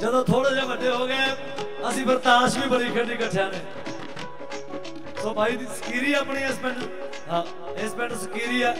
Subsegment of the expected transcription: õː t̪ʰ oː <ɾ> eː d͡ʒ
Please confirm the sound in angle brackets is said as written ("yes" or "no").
no